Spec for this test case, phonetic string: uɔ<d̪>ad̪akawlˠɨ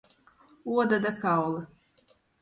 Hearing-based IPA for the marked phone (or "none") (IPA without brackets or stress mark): d̪